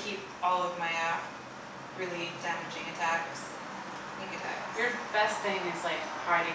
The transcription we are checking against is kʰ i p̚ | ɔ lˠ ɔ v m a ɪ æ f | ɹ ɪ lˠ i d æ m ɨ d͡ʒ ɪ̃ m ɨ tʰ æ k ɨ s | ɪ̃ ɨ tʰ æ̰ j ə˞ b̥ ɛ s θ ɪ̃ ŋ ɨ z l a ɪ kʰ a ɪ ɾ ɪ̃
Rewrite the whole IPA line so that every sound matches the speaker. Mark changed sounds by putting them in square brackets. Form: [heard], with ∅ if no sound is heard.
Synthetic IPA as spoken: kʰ i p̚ | ɔ lˠ [ʌ] v m a ɪ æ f | ɹ ɪ lˠ i d æ m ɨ d͡ʒ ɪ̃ [ŋ] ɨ tʰ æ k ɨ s | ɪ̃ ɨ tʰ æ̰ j ə˞ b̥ ɛ s θ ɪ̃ ŋ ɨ z l a ɪ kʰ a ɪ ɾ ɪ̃